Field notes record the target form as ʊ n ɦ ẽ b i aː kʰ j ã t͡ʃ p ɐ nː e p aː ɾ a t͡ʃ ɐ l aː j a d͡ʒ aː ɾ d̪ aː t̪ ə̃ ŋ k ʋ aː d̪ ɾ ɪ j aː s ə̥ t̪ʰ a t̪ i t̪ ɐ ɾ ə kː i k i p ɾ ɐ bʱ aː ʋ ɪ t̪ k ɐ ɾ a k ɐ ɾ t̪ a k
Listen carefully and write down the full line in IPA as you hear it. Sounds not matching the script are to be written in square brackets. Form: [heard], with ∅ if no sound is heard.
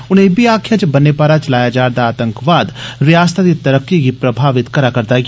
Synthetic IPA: ʊ n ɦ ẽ b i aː kʰ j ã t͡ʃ [b] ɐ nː e p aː ɾ a t͡ʃ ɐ l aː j a d͡ʒ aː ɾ d̪ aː t̪ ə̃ ŋ k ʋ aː d̪ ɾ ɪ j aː s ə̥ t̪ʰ a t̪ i t̪ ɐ ɾ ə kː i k i p ɾ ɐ bʱ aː ʋ ɪ t̪ k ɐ ɾ a k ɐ ɾ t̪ a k

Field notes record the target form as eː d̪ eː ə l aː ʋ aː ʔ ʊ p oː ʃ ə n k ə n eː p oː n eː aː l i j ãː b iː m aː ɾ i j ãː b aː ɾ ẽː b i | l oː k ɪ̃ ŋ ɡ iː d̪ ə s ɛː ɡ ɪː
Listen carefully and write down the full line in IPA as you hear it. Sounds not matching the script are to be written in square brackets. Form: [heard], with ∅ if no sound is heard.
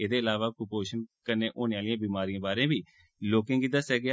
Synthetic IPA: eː d̪ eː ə l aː ʋ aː [k] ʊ p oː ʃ ə n k ə n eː [ʔ] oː n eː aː l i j ãː b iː m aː ɾ i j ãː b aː ɾ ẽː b [iː] | l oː k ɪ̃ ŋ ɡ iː d̪ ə s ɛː ɡ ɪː

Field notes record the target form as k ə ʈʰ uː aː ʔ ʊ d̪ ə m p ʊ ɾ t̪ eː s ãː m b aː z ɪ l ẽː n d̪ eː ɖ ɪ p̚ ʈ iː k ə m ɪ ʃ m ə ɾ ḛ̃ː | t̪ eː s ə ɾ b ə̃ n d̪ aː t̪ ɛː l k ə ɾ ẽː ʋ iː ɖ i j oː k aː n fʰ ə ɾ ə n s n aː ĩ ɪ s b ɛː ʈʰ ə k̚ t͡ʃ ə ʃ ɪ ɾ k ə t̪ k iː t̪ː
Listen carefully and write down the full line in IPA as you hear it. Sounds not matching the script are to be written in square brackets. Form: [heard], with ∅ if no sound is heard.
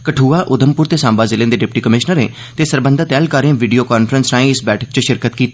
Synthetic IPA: k ə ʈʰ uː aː ʔ ʊ d̪ ə m p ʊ ɾ t̪ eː s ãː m b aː z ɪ l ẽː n d̪ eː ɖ ɪ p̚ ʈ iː k ə m ɪ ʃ [n] ə ɾ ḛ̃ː | t̪ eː s ə ɾ b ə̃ n d̪ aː t̪ ɛː l k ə ɾ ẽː ʋ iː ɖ i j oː k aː n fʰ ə ɾ ə n s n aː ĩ ɪ s b ɛː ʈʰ ə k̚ t͡ʃ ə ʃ ɪ ɾ k ə t̪ k iː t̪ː

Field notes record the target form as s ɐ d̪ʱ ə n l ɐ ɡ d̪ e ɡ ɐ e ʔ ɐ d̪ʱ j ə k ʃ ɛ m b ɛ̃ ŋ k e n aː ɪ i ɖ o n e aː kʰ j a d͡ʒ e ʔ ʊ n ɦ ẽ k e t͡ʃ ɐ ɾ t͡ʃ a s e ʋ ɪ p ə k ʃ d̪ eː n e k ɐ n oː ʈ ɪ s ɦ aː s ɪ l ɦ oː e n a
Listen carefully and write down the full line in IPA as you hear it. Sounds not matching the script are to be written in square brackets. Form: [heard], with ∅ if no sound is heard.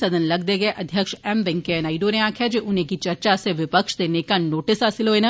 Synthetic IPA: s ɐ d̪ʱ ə n l ɐ ɡ d̪ e ɡ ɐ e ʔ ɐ d̪ʱ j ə k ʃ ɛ m b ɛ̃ ŋ k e n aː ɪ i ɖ o n e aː kʰ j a d͡ʒ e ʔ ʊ n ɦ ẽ k [i] t͡ʃ ɐ ɾ t͡ʃ a s e ʋ ɪ p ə k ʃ d̪ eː n e k [a] n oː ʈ ɪ s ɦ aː s ɪ l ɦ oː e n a

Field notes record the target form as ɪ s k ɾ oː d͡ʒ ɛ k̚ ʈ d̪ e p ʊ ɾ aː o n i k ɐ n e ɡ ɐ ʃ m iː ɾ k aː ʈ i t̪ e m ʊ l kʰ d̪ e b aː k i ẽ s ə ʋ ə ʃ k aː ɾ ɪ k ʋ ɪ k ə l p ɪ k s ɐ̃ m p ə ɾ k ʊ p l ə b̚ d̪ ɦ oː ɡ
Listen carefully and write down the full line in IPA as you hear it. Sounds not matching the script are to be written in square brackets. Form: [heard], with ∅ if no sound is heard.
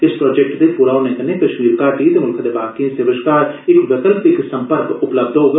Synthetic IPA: ɪ s [p] ɾ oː d͡ʒ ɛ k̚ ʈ d̪ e p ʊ ɾ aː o n [e] k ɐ n e [k] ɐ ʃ m iː ɾ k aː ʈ i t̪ e m ʊ l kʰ d̪ e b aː k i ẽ s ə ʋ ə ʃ k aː ɾ ɪ k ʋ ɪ k ə l p ɪ k s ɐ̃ m p ə ɾ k ʊ p l ə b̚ d̪ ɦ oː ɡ

